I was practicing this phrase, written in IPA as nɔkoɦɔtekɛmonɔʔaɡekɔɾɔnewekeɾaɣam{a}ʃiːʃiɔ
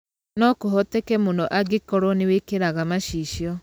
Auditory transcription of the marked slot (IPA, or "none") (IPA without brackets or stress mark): a